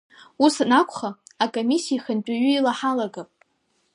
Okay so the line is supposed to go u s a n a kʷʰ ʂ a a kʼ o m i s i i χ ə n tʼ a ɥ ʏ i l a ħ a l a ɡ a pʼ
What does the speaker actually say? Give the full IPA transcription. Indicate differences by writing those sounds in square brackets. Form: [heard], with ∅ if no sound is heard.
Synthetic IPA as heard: u s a n a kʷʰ [χ] a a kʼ o m i s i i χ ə n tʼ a ɥ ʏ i l a ħ a l a ɡ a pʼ